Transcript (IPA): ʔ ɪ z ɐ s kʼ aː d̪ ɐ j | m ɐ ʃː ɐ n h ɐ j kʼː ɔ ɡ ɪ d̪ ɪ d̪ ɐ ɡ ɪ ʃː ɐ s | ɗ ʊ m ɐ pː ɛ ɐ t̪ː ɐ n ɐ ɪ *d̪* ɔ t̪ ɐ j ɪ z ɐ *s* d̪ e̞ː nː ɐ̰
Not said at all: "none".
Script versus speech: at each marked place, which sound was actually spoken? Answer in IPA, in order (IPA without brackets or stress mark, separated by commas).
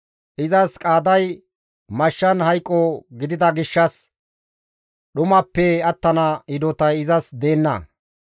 d̪, s